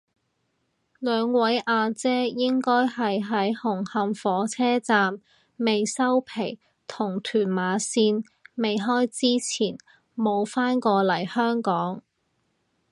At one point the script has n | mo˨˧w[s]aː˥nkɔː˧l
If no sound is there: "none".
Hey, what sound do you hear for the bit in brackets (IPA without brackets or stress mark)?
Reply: f